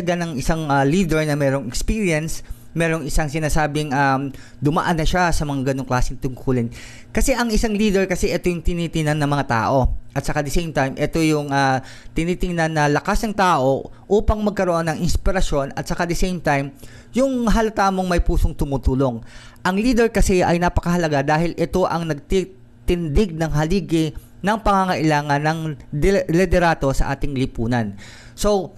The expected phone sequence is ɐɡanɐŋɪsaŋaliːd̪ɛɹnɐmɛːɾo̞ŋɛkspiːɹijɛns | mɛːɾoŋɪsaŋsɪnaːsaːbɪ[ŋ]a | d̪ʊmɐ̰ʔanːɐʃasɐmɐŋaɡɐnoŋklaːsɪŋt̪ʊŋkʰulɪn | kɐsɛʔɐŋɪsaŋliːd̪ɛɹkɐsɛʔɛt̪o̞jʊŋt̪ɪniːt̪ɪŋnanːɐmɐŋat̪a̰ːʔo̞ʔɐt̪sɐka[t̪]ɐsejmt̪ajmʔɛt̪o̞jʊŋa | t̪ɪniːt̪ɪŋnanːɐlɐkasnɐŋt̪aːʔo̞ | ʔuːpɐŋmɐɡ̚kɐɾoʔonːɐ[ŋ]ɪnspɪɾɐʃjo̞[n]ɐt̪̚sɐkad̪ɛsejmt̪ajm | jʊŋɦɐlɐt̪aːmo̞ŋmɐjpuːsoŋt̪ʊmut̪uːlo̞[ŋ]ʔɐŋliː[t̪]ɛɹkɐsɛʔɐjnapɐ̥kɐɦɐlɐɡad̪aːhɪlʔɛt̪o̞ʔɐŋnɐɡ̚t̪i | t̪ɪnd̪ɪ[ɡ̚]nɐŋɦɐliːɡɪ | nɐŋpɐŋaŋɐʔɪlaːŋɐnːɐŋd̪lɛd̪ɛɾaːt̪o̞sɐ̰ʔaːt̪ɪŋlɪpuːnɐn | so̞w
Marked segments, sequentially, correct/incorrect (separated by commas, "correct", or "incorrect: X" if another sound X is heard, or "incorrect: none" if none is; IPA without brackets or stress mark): correct, incorrect: d̪, correct, correct, correct, incorrect: d̪, correct